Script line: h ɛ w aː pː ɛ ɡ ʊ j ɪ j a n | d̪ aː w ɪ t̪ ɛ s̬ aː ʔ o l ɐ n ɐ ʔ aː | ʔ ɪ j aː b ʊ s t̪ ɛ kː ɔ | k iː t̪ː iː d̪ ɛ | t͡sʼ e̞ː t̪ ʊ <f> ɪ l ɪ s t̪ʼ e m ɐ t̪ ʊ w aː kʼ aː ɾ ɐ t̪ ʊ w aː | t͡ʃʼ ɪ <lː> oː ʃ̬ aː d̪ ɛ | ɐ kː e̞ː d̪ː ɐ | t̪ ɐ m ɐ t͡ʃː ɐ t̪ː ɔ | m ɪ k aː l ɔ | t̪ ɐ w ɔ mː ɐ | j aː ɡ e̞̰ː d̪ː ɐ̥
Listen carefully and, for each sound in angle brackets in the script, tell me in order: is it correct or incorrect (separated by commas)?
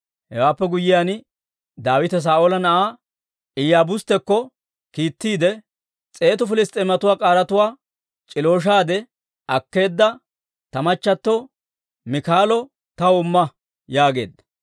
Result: correct, incorrect